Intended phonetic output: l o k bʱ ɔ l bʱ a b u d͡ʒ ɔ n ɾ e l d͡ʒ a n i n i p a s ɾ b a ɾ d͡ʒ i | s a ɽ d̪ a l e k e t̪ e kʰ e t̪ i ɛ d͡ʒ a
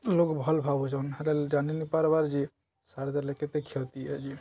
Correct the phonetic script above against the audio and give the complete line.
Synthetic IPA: l o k bʱ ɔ l bʱ a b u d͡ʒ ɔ n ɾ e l d͡ʒ a n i n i p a ɾ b a ɾ d͡ʒ i | s a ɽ d̪ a l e k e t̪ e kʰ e t̪ i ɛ d͡ʒ i

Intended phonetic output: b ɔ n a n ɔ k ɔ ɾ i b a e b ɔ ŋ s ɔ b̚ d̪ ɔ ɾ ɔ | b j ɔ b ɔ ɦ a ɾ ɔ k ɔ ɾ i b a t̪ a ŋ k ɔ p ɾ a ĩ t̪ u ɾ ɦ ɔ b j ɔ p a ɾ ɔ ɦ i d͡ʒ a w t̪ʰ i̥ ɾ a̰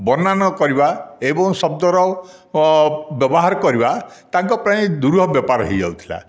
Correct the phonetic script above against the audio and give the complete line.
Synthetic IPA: b ɔ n a n ɔ k ɔ ɾ i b a e b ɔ ŋ s ɔ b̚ d̪ ɔ ɾ ɔ | b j ɔ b ɔ ɦ a ɾ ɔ k ɔ ɾ i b a t̪ a ŋ k ɔ p ɾ a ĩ d̪ u ɾ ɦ ɔ b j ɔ p a ɾ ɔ ɦ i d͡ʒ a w t̪ʰ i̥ l a̰

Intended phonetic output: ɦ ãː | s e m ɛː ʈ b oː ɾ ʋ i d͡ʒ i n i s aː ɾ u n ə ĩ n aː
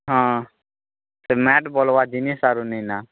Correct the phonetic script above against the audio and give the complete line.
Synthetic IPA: ɦ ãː | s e m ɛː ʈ b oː l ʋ a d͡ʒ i n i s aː ɾ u n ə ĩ n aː

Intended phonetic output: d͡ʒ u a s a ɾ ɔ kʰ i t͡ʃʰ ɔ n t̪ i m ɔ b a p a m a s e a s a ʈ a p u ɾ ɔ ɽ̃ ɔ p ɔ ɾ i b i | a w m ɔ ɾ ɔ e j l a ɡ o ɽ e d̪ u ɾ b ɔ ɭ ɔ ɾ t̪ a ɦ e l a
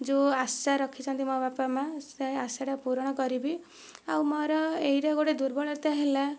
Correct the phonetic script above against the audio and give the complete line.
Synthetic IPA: d͡ʒ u a s a ɾ ɔ kʰ i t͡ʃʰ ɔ n t̪ i m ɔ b a p a m a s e a s a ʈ a p u ɾ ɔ ɽ̃ ɔ k ɔ ɾ i b i | a w m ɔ ɾ ɔ e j ɾ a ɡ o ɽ e d̪ u ɾ b ɔ ɭ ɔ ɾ t̪ a ɦ e l a

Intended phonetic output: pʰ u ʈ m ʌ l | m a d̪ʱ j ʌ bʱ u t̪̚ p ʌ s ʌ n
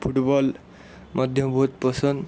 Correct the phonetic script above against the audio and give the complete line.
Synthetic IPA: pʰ u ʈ b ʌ l | m ʌ d̪ʱ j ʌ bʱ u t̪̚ p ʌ s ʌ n

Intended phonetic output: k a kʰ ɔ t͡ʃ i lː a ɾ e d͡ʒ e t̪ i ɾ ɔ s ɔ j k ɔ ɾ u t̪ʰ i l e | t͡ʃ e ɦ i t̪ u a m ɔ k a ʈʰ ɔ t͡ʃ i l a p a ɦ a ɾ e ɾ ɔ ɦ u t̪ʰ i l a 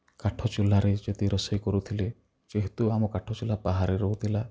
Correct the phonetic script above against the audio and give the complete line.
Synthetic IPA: k a ʈʰ ɔ t͡ʃ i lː a ɾ e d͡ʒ e t̪ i ɾ ɔ s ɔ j k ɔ ɾ u t̪ʰ i l e | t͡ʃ e ɦ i t̪ u a m ɔ k a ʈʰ ɔ t͡ʃ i l a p a ɦ a ɾ e ɾ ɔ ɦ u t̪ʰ i l a

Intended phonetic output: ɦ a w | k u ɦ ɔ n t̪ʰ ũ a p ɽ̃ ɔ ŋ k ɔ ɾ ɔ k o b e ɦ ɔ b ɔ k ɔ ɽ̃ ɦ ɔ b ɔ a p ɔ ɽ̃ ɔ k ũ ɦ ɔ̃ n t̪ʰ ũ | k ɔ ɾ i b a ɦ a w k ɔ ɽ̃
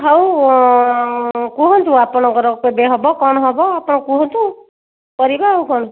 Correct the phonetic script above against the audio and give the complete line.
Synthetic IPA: ɦ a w | k u ɦ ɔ n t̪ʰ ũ a p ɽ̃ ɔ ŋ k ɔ ɾ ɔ k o b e ɦ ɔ b ɔ k ɔ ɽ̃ ɦ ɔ b ɔ a p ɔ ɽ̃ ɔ k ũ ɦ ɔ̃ n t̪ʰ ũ | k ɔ ɾ i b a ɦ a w k ɔ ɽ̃

